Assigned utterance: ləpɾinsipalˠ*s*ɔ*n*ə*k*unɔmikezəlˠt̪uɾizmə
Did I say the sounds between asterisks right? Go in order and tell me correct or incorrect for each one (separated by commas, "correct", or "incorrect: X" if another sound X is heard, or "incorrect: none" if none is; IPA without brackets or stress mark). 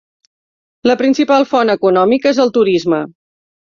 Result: incorrect: f, correct, correct